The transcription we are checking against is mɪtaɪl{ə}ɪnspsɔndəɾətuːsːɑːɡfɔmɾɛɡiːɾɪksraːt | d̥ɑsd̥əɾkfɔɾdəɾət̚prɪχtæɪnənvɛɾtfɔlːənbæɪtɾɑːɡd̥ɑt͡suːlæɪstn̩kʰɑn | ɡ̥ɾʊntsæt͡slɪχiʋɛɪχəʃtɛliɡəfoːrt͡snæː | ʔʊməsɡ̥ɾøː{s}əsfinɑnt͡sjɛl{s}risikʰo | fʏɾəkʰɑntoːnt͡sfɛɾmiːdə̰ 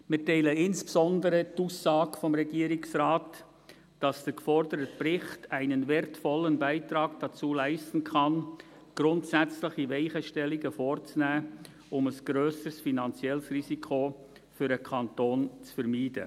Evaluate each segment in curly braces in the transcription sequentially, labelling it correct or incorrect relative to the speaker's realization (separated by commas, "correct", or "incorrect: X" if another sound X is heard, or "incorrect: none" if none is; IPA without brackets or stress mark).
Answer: correct, correct, correct